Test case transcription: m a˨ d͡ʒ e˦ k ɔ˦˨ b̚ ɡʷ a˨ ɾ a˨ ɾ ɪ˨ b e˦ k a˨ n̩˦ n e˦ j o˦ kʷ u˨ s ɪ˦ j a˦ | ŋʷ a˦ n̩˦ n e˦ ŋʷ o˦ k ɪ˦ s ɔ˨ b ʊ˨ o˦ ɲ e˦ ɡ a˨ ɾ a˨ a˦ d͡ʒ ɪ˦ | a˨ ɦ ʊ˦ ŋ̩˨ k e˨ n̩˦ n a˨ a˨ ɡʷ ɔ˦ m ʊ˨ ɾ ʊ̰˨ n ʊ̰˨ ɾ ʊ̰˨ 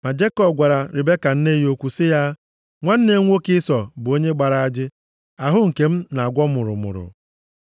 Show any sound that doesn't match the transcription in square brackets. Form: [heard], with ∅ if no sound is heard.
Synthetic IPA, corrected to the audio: m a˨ d͡ʒ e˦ k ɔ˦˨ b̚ ɡʷ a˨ ɾ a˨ ɾ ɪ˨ b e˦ k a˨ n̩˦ n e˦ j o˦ kʷ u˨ s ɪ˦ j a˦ | ŋʷ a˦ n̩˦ n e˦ ŋʷ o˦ k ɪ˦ s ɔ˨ b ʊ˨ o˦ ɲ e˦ [ɡ͡b] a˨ ɾ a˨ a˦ d͡ʒ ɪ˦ | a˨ ɦ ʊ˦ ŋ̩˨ k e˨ [m̩˦] n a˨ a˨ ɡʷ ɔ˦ m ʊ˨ ɾ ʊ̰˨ [m] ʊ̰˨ ɾ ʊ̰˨

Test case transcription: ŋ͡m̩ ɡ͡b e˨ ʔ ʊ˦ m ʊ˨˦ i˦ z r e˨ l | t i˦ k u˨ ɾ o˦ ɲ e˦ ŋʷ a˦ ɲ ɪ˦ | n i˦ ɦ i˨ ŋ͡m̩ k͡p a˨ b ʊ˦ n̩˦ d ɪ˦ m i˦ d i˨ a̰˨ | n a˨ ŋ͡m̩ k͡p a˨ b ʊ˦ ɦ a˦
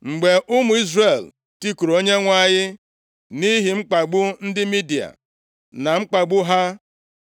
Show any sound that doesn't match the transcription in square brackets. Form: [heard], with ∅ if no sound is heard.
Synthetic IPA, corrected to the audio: ŋ͡m̩ ɡ͡b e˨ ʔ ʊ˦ m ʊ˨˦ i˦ z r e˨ l | t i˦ k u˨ ɾ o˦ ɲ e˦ ŋʷ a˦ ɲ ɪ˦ | n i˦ ɦ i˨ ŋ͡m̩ k͡p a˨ [ɡ͡b] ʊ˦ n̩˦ d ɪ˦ m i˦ d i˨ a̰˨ | n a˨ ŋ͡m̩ k͡p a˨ [ɡ͡b] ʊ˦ ɦ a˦

